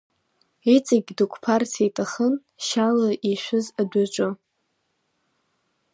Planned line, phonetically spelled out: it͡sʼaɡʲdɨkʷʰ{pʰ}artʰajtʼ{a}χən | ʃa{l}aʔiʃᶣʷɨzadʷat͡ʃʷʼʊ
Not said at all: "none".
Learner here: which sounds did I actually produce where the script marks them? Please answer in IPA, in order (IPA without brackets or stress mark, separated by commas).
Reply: pʰ, a, l